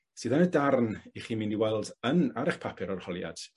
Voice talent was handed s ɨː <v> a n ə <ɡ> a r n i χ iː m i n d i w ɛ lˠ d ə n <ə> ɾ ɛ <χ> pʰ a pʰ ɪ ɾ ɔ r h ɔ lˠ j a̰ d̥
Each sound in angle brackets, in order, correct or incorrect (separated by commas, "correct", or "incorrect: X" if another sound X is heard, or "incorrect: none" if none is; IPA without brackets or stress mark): incorrect: ð, incorrect: d, incorrect: a, correct